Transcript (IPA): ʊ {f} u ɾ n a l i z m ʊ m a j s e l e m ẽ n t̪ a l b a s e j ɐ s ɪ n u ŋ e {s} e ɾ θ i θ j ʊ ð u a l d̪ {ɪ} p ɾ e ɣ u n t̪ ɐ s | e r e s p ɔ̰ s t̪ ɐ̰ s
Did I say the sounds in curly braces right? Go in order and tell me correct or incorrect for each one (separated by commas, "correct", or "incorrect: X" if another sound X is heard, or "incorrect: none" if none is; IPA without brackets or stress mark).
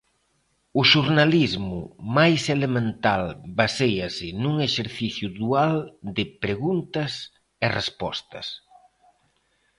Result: incorrect: ʃ, incorrect: ʃ, correct